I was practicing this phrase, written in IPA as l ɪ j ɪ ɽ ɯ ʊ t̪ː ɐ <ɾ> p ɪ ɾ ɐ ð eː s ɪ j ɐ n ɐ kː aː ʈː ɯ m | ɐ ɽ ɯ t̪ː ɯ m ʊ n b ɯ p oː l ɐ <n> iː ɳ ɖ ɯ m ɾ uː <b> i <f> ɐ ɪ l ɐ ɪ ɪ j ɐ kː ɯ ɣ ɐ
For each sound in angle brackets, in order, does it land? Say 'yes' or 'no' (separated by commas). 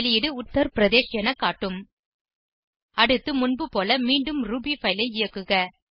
yes, no, yes, yes